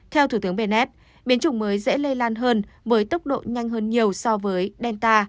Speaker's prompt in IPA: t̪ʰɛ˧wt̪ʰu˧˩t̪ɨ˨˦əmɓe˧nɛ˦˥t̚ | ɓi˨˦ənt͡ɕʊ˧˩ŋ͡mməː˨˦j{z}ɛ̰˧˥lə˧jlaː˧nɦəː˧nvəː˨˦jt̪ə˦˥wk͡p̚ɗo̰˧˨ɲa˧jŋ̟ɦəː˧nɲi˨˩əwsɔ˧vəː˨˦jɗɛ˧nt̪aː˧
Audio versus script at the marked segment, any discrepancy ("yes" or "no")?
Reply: no